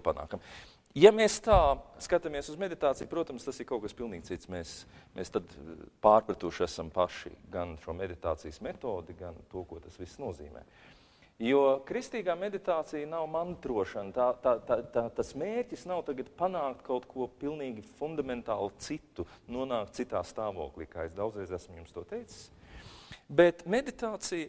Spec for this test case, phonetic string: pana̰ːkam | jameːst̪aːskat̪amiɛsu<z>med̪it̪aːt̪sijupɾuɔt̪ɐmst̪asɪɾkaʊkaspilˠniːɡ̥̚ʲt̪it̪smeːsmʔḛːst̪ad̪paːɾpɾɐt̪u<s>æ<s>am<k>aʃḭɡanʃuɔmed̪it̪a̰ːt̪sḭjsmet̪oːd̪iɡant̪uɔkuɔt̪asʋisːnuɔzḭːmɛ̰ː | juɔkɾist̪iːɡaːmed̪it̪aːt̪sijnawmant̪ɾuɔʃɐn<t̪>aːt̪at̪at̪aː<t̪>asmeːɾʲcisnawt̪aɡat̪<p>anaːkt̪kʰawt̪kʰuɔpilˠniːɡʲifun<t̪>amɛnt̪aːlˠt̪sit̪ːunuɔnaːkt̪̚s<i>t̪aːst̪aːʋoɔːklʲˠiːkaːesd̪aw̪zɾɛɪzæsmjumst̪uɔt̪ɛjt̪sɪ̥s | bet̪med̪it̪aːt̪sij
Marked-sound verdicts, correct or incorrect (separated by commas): correct, incorrect, correct, incorrect, correct, correct, correct, incorrect, correct